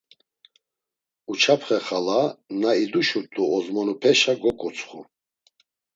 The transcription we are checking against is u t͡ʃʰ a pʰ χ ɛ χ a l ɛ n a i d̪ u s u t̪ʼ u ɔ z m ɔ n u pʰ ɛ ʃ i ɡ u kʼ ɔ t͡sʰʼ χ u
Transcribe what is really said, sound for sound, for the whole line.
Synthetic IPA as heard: u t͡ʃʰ a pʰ χ ɛ χ a l a n a i d̪ u ʃ u t̪ʼ u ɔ z m ɔ n u pʰ ɛ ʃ a ɡ ɔ kʼ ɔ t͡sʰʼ χ u